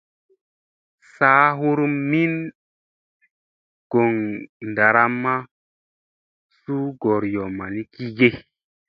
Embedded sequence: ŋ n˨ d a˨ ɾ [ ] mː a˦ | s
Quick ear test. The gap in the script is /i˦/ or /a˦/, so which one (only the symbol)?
a˦